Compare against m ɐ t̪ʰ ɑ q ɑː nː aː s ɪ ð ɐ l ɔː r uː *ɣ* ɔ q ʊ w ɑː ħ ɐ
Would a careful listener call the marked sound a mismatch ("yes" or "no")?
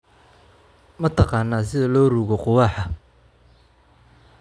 no